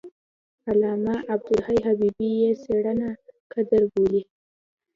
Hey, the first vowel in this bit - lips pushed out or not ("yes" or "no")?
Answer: no